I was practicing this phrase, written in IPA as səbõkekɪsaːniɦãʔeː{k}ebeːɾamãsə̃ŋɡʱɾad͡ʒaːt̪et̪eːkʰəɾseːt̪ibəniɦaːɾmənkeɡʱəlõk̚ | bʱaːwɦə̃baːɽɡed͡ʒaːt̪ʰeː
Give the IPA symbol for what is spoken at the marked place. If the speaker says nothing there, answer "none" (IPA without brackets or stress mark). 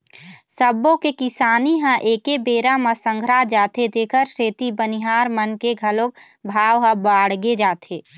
k